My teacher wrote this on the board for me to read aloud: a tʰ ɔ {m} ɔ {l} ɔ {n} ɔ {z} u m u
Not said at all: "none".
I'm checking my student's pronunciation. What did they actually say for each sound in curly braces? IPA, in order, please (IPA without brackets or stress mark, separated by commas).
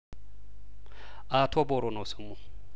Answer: b, ɾ, n, s